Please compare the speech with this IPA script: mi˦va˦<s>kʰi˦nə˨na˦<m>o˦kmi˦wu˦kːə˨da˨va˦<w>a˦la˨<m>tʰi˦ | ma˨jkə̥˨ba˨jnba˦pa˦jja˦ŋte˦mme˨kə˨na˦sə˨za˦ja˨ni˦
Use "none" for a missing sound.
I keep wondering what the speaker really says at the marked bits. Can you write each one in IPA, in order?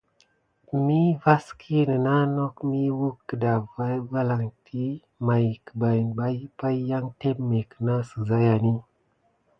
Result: s, n, v, ŋ

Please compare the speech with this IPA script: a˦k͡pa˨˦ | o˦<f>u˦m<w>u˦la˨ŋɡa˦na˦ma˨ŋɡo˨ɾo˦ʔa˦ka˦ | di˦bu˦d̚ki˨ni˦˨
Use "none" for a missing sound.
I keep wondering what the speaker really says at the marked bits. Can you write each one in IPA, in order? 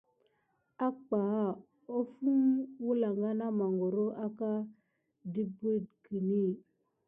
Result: f, w

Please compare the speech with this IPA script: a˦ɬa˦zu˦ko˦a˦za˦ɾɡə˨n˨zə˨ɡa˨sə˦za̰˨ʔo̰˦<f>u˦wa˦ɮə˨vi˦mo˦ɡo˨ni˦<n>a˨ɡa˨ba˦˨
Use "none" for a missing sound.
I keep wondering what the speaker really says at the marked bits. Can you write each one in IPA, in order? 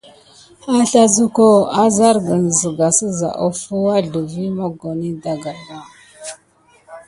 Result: f, d

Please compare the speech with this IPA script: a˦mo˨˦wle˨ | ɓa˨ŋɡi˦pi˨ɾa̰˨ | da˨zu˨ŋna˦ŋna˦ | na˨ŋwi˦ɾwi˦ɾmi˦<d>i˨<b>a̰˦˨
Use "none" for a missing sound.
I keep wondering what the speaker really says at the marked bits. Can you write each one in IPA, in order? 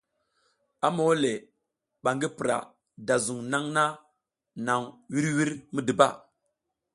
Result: d, b

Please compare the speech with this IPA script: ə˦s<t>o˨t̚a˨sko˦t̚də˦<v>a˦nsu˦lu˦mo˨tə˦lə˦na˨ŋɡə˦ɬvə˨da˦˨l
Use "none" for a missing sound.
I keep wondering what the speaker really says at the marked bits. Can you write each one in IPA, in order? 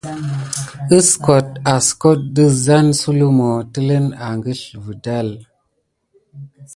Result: k, z

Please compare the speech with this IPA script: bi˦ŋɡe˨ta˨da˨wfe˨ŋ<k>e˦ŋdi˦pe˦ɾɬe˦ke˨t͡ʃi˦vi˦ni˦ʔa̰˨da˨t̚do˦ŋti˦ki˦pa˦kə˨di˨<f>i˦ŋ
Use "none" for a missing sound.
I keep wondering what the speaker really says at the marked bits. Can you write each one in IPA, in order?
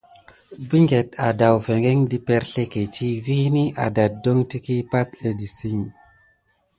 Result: ɡ, s

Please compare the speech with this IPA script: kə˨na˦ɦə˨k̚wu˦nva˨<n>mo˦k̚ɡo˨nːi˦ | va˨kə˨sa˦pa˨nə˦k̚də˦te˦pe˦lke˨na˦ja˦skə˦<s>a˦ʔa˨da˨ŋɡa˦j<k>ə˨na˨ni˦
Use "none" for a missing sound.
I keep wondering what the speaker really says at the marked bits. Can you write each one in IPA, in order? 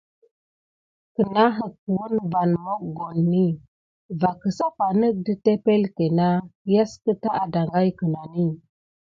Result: n, t, k

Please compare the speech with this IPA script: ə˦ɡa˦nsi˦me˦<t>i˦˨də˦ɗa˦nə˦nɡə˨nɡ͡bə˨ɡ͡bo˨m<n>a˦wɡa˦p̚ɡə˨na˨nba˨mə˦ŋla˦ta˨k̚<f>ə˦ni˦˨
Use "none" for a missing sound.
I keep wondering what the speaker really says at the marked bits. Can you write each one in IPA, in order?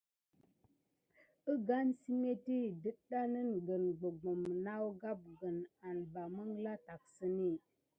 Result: t, n, s

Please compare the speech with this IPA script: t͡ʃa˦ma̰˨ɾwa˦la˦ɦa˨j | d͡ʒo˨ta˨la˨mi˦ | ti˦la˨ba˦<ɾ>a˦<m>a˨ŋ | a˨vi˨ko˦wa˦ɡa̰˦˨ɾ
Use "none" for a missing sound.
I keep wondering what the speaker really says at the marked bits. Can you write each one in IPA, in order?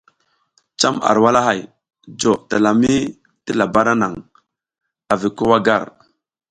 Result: ɾ, n

